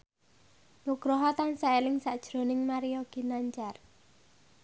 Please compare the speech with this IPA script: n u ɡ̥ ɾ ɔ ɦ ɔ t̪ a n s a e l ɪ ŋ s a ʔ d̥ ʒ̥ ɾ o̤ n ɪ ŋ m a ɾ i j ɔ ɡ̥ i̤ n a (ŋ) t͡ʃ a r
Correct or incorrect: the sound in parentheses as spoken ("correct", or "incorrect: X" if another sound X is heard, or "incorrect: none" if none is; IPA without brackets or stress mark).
incorrect: ɲ